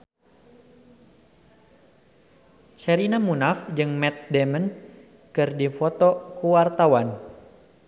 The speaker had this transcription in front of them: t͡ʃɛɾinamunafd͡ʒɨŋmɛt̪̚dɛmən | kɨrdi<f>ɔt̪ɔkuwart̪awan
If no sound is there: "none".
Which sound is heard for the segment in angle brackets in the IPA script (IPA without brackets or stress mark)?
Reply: f